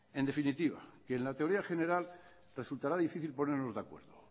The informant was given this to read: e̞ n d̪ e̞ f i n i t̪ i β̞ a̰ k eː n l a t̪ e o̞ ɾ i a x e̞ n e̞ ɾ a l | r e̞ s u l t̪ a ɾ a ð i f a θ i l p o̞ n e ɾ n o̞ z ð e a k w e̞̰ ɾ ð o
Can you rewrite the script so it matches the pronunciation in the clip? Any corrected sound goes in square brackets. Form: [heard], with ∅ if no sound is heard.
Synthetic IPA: e̞ n d̪ e̞ f i n i t̪ i β̞ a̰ k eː n l a t̪ e o̞ ɾ i a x e̞ n e̞ ɾ a l | r e̞ s u l t̪ a ɾ a ð i f [i] θ i l p o̞ n e ɾ n o̞ z ð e a k w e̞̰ ɾ ð o